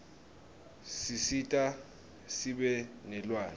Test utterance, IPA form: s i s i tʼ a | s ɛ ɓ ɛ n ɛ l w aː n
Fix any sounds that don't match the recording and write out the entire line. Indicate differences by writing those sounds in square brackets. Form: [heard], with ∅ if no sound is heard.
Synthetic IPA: s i s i tʼ a | s [i] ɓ ɛ n ɛ l w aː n